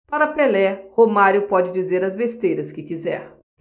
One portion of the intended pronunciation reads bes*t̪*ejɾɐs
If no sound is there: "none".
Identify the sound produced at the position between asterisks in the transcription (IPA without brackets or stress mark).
t̪